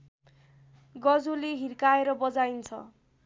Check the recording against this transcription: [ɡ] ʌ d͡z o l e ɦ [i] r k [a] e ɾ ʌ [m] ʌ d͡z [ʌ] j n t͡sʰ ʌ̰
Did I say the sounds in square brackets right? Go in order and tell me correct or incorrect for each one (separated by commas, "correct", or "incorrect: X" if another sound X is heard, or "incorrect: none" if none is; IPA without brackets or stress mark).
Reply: correct, correct, correct, incorrect: b, incorrect: a